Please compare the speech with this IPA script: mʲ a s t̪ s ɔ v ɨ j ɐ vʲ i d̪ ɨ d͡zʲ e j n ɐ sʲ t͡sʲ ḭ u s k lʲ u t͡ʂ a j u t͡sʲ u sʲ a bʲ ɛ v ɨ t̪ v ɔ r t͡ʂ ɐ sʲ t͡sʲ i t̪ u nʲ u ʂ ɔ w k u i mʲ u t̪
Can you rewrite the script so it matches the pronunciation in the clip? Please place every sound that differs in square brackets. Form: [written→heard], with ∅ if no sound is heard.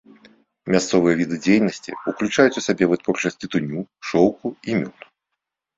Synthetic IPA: mʲ a s t̪ s ɔ v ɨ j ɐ vʲ i d̪ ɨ d͡zʲ e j n ɐ sʲ t͡sʲ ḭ u [s→∅] k lʲ u t͡ʂ a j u t͡sʲ u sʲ a bʲ ɛ v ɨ t̪ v ɔ r t͡ʂ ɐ sʲ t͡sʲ i t̪ u nʲ u ʂ ɔ w k u i mʲ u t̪